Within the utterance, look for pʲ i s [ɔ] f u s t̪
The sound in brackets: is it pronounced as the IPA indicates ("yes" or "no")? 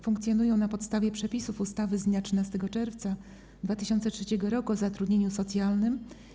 no